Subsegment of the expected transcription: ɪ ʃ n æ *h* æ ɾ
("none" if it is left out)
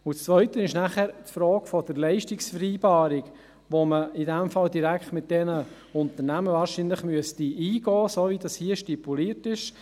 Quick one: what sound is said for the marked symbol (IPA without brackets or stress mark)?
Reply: χ